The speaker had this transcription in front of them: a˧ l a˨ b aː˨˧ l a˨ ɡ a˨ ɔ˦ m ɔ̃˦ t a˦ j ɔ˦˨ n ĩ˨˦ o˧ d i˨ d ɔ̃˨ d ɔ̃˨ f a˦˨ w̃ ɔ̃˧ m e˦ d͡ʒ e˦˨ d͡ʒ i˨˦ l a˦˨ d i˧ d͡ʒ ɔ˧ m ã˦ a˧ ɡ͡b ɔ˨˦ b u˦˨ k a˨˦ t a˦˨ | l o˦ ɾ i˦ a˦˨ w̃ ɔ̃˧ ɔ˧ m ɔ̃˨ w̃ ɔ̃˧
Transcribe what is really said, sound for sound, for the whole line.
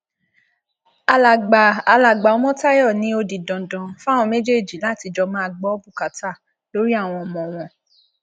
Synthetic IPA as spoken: a˧ l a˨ ɡ͡b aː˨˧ l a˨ ɡ͡b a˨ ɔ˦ m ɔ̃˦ t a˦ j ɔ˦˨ n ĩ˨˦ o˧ d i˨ d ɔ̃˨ d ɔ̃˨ f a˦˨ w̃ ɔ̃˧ m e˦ d͡ʒ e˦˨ d͡ʒ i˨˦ l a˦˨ t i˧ d͡ʒ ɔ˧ m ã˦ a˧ ɡ͡b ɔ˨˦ b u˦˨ k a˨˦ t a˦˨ | l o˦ ɾ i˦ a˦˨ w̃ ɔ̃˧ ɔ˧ m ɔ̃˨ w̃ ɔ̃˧